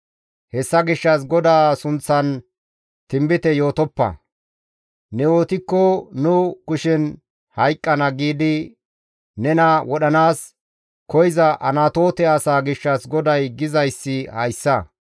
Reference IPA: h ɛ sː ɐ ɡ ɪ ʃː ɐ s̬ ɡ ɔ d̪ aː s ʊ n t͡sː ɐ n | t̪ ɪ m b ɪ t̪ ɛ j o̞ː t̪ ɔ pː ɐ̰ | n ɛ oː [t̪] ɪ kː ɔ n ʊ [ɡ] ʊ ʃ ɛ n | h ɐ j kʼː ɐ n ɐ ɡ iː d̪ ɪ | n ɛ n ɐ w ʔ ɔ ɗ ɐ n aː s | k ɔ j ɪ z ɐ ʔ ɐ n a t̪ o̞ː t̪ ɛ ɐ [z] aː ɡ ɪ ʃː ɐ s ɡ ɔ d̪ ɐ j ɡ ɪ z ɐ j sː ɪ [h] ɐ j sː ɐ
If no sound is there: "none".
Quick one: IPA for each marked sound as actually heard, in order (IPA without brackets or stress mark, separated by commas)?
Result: t̪, k, s, h